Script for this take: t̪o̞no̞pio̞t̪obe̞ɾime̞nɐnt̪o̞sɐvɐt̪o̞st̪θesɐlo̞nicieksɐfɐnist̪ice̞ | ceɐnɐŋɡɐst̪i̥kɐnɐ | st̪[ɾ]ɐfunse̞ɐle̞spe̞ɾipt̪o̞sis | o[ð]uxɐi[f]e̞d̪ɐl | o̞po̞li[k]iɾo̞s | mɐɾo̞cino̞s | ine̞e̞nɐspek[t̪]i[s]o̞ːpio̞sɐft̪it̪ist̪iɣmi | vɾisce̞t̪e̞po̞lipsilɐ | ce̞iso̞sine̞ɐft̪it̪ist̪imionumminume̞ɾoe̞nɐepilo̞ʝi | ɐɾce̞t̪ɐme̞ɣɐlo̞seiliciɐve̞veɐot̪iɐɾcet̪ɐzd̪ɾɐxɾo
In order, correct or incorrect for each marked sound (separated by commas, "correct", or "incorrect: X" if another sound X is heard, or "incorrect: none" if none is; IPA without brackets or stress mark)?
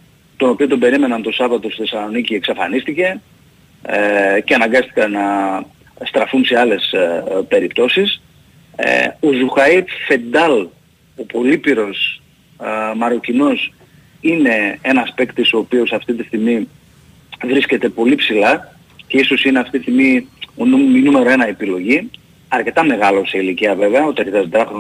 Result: correct, incorrect: z, correct, incorrect: p, correct, correct